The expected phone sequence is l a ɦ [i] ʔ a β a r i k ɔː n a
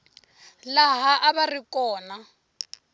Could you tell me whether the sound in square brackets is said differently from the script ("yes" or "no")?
yes